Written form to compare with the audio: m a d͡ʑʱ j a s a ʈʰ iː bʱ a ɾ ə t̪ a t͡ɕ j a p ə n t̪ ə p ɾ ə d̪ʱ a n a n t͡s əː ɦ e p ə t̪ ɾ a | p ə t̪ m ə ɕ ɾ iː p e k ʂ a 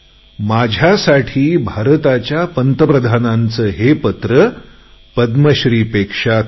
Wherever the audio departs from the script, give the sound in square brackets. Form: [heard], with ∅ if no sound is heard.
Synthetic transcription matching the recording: m a d͡ʑʱ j a s a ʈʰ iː bʱ a ɾ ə t̪ a t͡ɕ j a p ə n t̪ ə p ɾ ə d̪ʱ a n a n t͡s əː ɦ e p ə t̪ ɾ [ə] | p ə [d̪] m ə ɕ ɾ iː p e k ʂ a